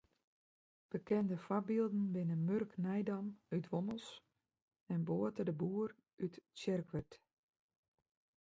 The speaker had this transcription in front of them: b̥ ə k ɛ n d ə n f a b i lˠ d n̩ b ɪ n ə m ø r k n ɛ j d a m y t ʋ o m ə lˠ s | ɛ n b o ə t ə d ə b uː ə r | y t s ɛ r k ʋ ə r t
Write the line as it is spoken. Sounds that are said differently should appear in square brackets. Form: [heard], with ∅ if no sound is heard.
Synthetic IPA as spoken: b̥ ə k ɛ n d ə [∅] f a b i lˠ d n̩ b ɪ n ə m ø r k n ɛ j d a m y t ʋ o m ə lˠ s | ɛ n b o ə t ə d ə b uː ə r | y t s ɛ r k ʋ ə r t

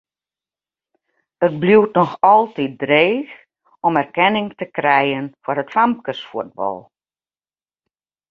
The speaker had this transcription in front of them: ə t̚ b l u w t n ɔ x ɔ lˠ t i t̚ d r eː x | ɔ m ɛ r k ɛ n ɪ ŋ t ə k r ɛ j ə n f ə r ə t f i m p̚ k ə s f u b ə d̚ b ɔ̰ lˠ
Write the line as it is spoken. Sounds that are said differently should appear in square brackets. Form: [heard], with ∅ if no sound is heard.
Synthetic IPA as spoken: ə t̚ b l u w t n ɔ x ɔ lˠ t i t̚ d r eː x | ɔ m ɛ r k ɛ n ɪ ŋ t ə k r ɛ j ə n f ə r ə t f [a] m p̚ k ə s f u [∅] ə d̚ b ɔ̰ lˠ

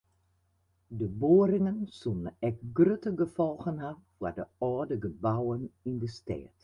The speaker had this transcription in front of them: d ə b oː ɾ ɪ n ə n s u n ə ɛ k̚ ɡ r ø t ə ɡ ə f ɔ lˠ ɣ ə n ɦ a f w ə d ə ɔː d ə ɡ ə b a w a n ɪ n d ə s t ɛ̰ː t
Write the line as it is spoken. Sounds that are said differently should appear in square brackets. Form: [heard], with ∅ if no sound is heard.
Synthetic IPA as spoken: d ə b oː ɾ ɪ [ŋ] ə n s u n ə ɛ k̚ ɡ r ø t ə ɡ ə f ɔ lˠ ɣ ə n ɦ a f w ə d ə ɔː d ə ɡ ə b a w [ə] n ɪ n d ə s t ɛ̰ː t

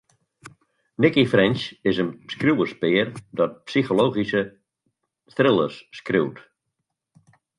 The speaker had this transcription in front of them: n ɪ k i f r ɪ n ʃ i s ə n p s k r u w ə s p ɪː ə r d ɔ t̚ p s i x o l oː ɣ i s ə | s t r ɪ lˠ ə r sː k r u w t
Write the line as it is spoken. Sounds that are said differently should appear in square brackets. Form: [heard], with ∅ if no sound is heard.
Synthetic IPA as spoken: n ɪ k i f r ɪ n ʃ [ɪ] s ə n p s k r u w ə s p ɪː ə r d ɔ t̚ p s i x o l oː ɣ i s ə | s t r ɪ lˠ ə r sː k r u w t

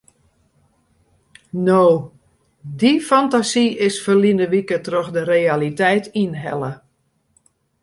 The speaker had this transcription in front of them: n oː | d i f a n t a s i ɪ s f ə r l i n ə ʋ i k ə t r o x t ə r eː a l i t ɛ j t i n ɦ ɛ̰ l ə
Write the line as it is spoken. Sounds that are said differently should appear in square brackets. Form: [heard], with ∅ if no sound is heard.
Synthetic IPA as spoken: n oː | d i f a n t a s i ɪ s f ə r l i n ə ʋ i k ə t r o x [d] ə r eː a l i t ɛ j t i n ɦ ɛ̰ l ə

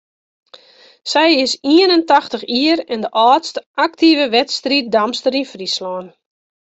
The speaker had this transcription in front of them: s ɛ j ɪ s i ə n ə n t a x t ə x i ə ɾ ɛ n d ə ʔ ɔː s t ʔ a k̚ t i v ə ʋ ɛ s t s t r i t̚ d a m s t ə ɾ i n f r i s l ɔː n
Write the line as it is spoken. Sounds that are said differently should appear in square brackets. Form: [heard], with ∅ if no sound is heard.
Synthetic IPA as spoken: s ɛ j ɪ s i ə n ə n t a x t ə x i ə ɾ ɛ n d ə ʔ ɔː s t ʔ a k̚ t i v ə ʋ ɛ [∅] t s t r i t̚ d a m s t ə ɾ i n f r i s l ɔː n

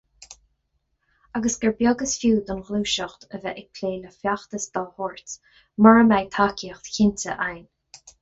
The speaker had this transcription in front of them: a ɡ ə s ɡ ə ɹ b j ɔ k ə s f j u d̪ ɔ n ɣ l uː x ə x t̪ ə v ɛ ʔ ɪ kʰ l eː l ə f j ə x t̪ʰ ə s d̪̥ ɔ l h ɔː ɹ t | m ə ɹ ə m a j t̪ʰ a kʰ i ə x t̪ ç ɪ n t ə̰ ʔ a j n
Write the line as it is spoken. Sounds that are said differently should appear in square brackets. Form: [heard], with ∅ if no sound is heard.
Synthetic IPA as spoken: a ɡ ə s ɡ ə ɹ b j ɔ [ɡ] ə s f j [uː] d̪ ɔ n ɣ l uː [ʃ] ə x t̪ ə v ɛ ʔ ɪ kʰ l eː l ə f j [a] x [t̪] ə s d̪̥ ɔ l h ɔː ɹ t | m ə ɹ ə m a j t̪ʰ a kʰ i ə x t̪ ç ɪ n t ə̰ ʔ a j n

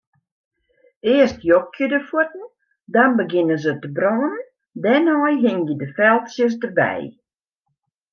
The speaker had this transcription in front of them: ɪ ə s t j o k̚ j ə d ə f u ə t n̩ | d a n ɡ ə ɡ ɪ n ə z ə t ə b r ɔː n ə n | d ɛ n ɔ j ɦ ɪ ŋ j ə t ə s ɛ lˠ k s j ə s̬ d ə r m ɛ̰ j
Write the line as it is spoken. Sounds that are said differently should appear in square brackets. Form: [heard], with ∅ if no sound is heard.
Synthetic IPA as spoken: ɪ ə s t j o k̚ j ə d ə f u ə t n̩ | d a n [b] ə ɡ ɪ n ə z ə t ə b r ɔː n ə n | d ɛ n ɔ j ɦ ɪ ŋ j ə [d] ə [f] ɛ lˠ [t] s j ə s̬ d ə r [b] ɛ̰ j

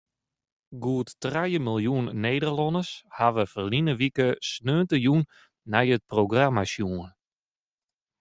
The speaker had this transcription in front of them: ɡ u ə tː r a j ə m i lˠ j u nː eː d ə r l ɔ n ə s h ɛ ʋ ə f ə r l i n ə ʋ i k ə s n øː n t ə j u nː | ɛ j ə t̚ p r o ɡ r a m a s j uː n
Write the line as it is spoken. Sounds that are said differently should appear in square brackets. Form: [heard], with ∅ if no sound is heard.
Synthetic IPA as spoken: ɡ u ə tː r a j ə m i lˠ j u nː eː d ə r l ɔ n ə s h [a] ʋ ə f ə r l i n ə ʋ i k ə s n øː n t ə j u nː | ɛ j ə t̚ p r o ɡ r a m a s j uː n

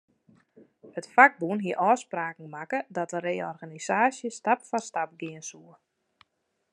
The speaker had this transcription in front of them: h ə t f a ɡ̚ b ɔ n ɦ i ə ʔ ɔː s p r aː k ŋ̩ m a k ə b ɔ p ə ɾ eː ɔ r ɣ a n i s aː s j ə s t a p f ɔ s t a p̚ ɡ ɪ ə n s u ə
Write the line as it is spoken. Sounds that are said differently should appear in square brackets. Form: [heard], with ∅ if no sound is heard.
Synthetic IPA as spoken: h ə t f a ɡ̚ b [u] n ɦ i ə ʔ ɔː s p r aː k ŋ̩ m a k ə [d] ɔ [t] ə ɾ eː ɔ r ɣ a n i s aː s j ə s t a p f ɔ s t a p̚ ɡ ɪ ə n s u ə

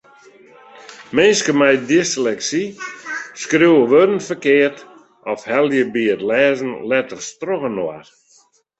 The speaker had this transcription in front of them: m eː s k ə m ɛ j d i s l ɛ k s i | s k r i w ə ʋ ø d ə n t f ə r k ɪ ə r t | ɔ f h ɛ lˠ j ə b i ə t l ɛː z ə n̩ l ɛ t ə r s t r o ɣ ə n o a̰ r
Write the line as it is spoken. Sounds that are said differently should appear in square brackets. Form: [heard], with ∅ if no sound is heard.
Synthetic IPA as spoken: m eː s k ə m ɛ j d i s l ɛ k s i | s k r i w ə ʋ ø d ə n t f ə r k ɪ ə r t | ɔ f h ɛ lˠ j ə b i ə t l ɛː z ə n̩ l ɛ t ə r s t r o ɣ ə n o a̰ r

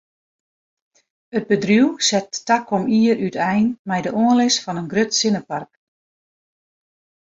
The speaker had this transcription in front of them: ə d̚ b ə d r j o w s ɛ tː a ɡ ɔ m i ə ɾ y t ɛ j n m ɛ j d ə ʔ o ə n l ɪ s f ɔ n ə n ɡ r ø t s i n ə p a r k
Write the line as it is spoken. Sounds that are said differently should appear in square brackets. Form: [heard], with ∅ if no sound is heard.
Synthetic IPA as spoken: ə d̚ b ə d r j [u] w s ɛ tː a [k] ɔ m i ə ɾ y t ɛ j n m ɛ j d ə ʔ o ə n l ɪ s f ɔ n ə n ɡ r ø t s [ɪ] n ə p a r k

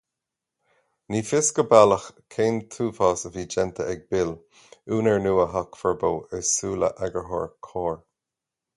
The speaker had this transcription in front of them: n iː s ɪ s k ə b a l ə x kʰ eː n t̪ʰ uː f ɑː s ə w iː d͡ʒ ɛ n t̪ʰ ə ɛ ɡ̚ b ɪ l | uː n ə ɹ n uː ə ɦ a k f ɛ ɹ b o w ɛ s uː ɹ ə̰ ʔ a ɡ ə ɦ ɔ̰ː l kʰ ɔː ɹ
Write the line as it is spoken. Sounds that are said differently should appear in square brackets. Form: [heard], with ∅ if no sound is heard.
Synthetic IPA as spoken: n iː [f] ɪ s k ə b a l ə x kʰ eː n t̪ʰ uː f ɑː s ə [v] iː d͡ʒ ɛ n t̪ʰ ə ɛ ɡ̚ b ɪ l | uː n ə ɹ n uː ə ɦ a k f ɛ ɹ b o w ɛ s uː [l] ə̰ ʔ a ɡ ə ɦ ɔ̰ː [ɹ] kʰ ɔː ɹ

